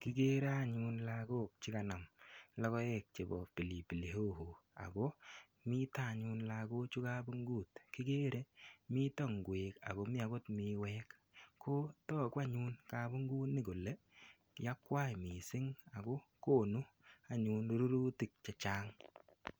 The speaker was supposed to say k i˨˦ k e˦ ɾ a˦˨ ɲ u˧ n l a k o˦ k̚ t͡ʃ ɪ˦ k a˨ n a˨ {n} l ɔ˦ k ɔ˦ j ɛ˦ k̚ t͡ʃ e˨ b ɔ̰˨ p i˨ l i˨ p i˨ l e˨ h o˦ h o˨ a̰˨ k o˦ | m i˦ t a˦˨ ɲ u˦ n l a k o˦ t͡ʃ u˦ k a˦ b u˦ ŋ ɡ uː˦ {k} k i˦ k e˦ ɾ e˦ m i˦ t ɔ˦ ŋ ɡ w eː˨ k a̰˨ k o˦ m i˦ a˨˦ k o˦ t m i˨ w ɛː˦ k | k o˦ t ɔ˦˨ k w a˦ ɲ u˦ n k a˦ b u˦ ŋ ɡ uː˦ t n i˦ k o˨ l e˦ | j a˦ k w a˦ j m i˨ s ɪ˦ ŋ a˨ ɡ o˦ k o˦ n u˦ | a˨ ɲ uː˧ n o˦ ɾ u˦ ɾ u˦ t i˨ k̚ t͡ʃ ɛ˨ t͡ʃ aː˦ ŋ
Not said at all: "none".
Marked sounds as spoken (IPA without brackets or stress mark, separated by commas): m, t